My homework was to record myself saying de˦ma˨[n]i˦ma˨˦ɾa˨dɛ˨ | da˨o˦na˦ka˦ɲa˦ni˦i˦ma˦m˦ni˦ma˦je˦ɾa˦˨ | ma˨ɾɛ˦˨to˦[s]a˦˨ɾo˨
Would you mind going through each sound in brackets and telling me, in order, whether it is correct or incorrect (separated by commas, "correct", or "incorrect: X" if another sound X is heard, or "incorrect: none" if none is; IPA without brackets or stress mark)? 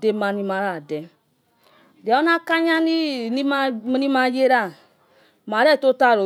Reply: correct, incorrect: t